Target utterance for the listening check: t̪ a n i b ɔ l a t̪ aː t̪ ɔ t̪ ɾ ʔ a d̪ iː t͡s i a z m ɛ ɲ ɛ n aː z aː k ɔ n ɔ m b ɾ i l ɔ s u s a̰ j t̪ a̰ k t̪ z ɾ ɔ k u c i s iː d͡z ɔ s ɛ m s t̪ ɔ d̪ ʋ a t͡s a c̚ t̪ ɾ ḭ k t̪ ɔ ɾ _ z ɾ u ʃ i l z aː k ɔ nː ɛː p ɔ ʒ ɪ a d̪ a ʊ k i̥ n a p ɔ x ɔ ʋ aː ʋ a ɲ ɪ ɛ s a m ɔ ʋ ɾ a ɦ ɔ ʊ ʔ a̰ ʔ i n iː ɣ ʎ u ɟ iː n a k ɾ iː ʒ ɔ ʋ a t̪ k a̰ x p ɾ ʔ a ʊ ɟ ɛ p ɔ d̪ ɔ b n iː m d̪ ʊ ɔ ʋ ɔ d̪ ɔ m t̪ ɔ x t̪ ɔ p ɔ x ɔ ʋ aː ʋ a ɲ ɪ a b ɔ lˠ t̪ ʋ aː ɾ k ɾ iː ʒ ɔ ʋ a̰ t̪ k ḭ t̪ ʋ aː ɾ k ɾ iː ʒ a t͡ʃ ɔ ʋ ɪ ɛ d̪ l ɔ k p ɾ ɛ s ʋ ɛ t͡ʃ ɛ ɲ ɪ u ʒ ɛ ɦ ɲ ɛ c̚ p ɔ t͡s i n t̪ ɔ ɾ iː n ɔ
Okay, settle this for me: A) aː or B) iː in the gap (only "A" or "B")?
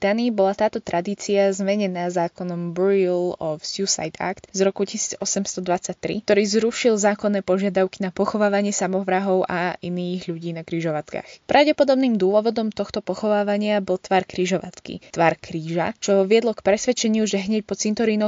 B